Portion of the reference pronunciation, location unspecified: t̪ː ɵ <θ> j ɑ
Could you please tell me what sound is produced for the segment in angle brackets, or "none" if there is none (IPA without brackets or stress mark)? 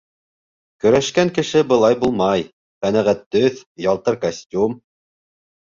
θ